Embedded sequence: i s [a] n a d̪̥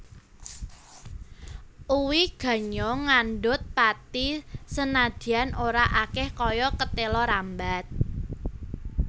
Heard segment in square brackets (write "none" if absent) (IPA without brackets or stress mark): ə